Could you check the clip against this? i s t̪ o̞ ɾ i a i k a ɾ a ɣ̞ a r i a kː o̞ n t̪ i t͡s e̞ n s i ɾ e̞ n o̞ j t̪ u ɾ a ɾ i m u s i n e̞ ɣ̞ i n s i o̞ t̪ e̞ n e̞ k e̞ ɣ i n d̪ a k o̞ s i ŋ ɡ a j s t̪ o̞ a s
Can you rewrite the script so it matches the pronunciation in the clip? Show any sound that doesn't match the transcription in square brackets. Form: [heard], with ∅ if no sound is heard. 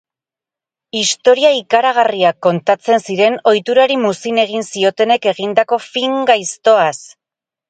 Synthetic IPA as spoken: i s t̪ o̞ ɾ i a i k a ɾ a ɣ̞ a r i a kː o̞ n t̪ [a] t͡s e̞ n s i ɾ e̞ n o̞ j t̪ u ɾ a ɾ i m u s i n e̞ ɣ̞ i n s i o̞ t̪ e̞ n e̞ k e̞ ɣ i n d̪ a k o̞ [f] i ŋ ɡ a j s t̪ o̞ a s

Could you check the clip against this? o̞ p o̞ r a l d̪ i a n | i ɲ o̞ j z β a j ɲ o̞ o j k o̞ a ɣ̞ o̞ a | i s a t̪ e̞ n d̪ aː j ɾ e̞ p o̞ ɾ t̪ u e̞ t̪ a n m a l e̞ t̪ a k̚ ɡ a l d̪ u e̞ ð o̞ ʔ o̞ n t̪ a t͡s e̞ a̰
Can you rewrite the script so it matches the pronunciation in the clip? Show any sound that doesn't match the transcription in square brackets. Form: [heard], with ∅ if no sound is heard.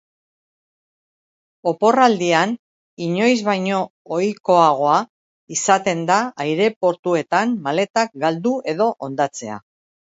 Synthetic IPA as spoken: o̞ p o̞ r a l d̪ i a n | i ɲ o̞ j z β a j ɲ o̞ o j k o̞ a ɣ̞ o̞ a | i s a t̪ e̞ n d̪ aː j ɾ e̞ p o̞ ɾ t̪ u e̞ t̪ a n m a l e̞ t̪ a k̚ ɡ a l d̪ u e̞ ð o̞ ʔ o̞ n [d̪] a t͡s e̞ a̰

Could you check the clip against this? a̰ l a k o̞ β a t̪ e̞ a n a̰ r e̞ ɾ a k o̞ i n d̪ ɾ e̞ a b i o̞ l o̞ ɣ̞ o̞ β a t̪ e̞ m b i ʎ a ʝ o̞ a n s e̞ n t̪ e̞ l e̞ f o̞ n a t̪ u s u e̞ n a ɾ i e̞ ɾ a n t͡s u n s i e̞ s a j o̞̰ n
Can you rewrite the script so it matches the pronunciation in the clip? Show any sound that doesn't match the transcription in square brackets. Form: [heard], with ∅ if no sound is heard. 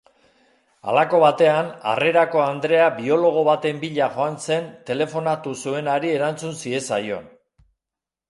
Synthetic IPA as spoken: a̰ l a k o̞ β a t̪ e̞ a n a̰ r e̞ ɾ a k o̞ [a] n d̪ ɾ e̞ a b i o̞ l o̞ ɣ̞ o̞ β a t̪ e̞ m b i ʎ a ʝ o̞ a n s e̞ n t̪ e̞ l e̞ f o̞ n a t̪ u s u e̞ n a ɾ i e̞ ɾ a n t͡s u n s i e̞ s a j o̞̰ n

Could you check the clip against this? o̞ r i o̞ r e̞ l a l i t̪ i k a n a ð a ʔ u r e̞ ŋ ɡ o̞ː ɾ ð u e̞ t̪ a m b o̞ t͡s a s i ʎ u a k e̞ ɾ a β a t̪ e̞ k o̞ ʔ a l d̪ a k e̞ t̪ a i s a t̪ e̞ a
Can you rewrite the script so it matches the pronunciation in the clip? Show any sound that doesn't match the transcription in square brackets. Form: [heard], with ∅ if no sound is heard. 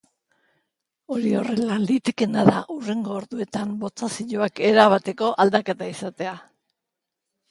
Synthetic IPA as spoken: o̞ [ɾ] i o̞ r e̞ l a l i t̪ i k [e] n a ð a ʔ u r e̞ ŋ ɡ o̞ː ɾ ð u e̞ t̪ a m b o̞ t͡s a s i ʎ [o] a k e̞ ɾ a β a t̪ e̞ k o̞ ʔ a l d̪ a k e̞ t̪ a i s a t̪ e̞ a

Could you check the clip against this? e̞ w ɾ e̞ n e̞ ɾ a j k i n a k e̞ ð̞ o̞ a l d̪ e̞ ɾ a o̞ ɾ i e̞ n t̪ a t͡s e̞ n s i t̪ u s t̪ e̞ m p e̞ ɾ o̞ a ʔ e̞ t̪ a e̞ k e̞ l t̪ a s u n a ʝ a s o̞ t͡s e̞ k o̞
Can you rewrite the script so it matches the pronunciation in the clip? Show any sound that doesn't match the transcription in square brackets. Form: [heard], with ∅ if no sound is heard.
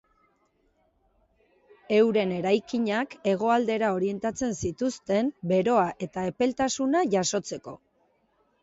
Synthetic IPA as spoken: e̞ w ɾ e̞ n e̞ ɾ a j k i [ɲ] a k e̞ [ɣ̞] o̞ a l d̪ e̞ ɾ a o̞ ɾ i e̞ n t̪ a t͡s e̞ n s i t̪ u s t̪ e̞ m [b] e̞ ɾ o̞ a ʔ e̞ t̪ a e̞ [p] e̞ l t̪ a s u n a ʝ a s o̞ t͡s e̞ k o̞

